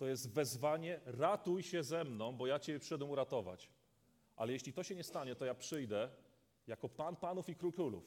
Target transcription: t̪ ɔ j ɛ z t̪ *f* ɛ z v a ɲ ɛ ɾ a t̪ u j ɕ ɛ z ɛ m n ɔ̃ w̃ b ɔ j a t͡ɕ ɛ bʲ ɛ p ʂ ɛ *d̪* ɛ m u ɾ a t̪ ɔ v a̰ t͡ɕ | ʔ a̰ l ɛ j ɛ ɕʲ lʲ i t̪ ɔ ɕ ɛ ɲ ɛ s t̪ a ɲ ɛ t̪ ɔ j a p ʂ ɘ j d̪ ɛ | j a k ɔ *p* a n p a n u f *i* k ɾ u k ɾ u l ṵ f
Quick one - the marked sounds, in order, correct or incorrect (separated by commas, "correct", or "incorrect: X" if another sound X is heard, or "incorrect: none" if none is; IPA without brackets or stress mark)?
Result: incorrect: v, correct, correct, correct